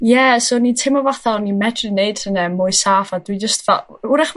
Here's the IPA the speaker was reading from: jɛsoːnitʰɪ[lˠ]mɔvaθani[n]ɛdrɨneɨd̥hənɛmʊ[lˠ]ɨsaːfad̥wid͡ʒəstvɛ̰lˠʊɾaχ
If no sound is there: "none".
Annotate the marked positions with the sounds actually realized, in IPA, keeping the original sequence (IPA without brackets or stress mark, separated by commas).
none, m, none